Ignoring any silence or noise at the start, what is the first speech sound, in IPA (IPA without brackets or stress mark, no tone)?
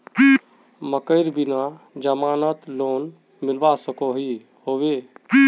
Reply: m